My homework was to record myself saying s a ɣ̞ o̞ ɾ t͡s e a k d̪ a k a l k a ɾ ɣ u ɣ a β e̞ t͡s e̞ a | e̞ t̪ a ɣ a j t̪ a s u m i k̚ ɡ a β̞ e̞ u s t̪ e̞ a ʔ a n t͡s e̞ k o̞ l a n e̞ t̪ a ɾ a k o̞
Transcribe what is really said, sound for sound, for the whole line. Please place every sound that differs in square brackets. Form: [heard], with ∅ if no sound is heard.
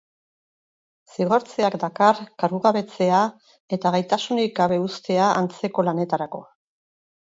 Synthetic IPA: s [i] ɣ̞ o̞ ɾ t͡s e a k d̪ a k a [r] k a ɾ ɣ u ɣ a β e̞ t͡s e̞ a | e̞ t̪ a ɣ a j t̪ a s u [n] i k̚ ɡ a β̞ e̞ u s t̪ e̞ a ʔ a n t͡s e̞ k o̞ l a n e̞ t̪ a ɾ a k o̞